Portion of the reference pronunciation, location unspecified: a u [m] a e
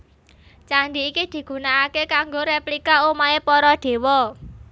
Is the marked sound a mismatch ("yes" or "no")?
no